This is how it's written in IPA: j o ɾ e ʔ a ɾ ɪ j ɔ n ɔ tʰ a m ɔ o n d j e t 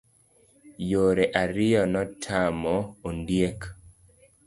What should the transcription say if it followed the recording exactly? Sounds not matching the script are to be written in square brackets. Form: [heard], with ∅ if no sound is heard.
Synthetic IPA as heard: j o ɾ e ʔ a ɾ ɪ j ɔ n ɔ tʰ a m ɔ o n d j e [k]